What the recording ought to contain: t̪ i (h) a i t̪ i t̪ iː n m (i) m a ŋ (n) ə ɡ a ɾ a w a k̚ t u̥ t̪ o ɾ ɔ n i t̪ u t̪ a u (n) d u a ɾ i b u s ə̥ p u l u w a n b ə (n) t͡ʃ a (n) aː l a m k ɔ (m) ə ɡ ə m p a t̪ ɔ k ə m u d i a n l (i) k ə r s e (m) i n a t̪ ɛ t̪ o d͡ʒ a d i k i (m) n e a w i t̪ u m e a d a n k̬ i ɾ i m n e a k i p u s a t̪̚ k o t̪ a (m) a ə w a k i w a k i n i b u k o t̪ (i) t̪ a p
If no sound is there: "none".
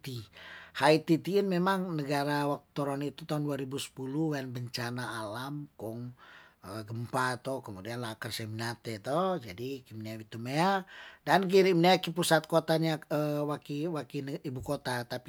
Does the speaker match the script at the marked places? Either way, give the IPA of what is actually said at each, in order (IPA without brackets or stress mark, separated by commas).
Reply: h, e, n, n, ɲ, n, ŋ, a, m, m, ɲ, a